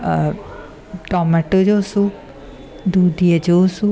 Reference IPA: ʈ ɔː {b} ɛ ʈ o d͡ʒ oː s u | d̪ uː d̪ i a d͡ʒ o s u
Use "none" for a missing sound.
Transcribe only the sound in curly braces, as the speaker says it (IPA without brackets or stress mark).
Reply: m